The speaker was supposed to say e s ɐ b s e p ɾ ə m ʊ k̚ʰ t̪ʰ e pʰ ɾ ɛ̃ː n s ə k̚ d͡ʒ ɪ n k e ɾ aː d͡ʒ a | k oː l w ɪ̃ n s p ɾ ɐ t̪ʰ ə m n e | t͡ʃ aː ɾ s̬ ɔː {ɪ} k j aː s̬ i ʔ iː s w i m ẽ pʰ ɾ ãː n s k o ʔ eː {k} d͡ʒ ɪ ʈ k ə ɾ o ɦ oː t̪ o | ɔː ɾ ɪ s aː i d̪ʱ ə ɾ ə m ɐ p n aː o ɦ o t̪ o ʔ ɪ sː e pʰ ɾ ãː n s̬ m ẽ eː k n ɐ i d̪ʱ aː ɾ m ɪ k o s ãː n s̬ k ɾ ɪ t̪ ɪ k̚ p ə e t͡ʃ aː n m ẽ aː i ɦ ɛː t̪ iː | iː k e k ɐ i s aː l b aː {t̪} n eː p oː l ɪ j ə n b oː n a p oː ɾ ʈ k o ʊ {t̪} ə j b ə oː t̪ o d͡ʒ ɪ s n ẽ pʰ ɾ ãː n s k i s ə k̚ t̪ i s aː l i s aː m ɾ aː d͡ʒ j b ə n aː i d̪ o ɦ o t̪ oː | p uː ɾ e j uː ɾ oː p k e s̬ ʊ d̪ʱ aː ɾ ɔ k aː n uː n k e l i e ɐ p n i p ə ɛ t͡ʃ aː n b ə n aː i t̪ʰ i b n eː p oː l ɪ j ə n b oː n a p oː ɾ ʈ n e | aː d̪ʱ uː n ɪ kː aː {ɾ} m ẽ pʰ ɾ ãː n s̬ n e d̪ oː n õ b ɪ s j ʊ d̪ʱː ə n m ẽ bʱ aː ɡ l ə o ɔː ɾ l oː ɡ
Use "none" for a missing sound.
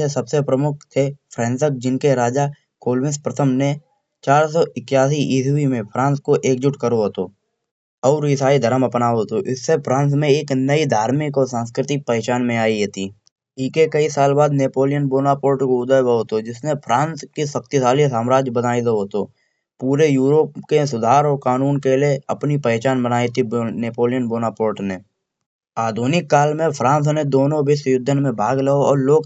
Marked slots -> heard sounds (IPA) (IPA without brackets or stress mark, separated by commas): ɪ, k, d̪, d̪, l